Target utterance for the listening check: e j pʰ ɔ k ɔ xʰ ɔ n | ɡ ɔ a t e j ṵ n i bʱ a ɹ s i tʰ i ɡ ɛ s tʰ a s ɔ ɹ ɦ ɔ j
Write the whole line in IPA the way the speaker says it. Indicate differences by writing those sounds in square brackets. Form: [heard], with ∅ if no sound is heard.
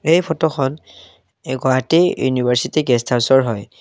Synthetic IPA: e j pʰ ɔ [t] ɔ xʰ ɔ n | ɡ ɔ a t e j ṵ n i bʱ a ɹ s i [t] i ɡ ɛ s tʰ a s ɔ ɹ ɦ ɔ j